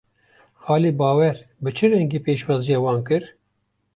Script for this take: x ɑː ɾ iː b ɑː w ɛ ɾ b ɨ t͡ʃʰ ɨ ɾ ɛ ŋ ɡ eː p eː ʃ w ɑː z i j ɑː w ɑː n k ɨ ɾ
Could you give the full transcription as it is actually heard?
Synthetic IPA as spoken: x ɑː l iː b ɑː w ɛ ɾ b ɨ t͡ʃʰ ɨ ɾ ɛ ŋ ɡ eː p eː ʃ w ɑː z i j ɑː w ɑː n k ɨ ɾ